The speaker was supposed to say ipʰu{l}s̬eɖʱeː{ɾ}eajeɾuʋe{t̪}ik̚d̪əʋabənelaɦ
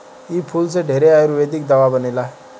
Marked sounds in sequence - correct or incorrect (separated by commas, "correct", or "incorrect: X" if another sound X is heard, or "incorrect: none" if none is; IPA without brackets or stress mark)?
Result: correct, correct, incorrect: d̪